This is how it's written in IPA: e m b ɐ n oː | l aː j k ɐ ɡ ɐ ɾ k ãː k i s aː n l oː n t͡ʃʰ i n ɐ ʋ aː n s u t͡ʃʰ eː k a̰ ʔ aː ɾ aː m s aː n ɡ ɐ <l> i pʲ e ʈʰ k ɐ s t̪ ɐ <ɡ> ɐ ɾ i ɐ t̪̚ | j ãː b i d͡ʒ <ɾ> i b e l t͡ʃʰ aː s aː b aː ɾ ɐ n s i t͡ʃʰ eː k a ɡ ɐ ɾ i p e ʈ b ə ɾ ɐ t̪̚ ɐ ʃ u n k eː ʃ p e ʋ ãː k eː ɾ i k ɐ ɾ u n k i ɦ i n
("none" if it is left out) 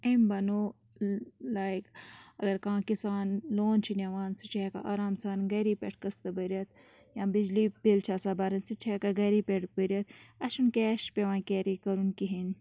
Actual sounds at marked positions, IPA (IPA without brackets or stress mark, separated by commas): ɾ, b, l